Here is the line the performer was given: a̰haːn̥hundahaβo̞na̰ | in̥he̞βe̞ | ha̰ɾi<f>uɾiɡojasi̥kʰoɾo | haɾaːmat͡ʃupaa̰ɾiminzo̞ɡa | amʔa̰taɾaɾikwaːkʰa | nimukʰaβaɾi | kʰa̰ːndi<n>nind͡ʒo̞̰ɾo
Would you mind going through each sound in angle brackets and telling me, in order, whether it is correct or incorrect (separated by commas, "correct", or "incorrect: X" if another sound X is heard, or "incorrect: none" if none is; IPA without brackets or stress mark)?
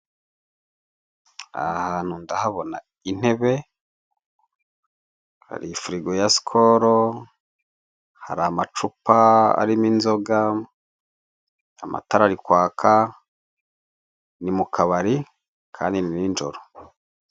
correct, correct